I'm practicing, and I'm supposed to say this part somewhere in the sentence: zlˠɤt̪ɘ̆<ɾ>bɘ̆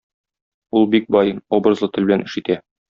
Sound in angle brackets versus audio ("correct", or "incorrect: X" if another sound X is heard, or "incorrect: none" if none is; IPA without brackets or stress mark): incorrect: l